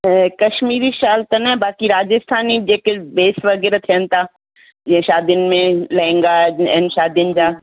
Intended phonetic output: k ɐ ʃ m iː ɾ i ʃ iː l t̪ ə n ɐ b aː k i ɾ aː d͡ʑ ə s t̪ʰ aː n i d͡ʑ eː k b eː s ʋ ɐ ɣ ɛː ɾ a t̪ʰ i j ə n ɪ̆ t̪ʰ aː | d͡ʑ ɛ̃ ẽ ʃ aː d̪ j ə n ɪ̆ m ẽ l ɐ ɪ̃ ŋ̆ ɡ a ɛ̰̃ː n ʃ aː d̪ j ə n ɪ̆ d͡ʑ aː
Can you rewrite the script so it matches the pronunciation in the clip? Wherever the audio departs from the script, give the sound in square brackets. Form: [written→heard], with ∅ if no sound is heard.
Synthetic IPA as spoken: k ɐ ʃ m iː ɾ i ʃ [iː→aː] l t̪ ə n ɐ b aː k i ɾ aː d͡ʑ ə s t̪ʰ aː n i d͡ʑ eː k b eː s ʋ ɐ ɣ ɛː ɾ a t̪ʰ i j ə n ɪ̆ t̪ʰ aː | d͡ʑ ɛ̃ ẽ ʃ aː d̪ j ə n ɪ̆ m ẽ l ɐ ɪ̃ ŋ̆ ɡ a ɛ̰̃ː n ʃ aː d̪ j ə n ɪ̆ d͡ʑ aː